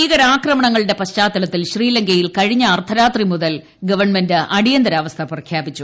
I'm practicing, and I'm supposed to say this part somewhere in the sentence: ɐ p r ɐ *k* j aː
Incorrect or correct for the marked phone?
incorrect: kʰ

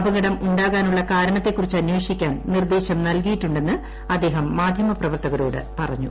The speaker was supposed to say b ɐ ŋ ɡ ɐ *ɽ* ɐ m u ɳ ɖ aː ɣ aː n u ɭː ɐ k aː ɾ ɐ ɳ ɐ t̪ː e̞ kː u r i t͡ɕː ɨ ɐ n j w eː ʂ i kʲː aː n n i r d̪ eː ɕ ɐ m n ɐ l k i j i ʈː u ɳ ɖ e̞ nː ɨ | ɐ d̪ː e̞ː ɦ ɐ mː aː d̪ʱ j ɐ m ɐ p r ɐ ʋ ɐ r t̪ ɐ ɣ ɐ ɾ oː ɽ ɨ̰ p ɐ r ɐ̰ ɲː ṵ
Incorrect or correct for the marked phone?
correct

